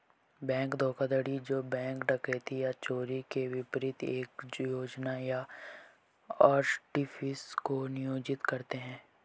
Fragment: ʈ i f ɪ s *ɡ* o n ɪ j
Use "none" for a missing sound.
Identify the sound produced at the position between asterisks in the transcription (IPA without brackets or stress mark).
k